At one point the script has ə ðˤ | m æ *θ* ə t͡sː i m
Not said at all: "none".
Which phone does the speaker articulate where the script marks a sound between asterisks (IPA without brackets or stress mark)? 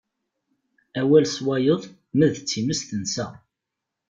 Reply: ð